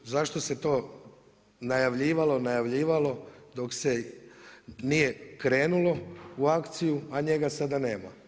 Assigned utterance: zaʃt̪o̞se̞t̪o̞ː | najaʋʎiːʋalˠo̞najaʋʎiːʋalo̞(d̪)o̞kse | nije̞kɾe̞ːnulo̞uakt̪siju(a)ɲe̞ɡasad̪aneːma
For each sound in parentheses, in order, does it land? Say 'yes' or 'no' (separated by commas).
yes, yes